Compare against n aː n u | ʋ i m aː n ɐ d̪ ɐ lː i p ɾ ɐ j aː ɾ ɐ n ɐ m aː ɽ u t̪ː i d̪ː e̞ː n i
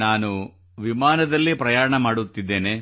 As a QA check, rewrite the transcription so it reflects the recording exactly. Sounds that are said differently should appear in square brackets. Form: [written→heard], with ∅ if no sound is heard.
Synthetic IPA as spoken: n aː n u | ʋ i m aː n ɐ d̪ ɐ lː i p ɾ ɐ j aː ɾ ɐ [n→ɳ] ɐ m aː ɽ u t̪ː i d̪ː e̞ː n [i→e]